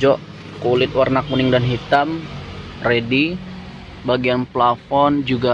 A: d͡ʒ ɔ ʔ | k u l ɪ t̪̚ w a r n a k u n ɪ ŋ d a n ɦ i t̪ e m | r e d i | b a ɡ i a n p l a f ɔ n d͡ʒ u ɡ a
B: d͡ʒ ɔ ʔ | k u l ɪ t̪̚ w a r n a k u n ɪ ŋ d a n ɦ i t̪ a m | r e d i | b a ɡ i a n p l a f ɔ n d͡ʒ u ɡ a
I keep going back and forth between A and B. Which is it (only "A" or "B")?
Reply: B